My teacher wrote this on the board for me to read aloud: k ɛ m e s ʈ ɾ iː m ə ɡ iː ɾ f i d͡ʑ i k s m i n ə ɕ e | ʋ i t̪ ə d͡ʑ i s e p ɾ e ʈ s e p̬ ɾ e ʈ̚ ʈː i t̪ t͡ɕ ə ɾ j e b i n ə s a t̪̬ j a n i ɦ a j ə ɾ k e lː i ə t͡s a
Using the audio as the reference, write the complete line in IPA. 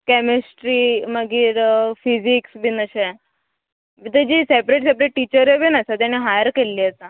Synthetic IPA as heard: k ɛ m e s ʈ ɾ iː m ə ɡ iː ɾ f i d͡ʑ i k s b i n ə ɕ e | ʋ i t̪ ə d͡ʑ i s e p ɾ e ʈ s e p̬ ɾ e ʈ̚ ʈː i t͡ɕ ə ɾ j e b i n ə s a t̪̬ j a n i ɦ a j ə ɾ k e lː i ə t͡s a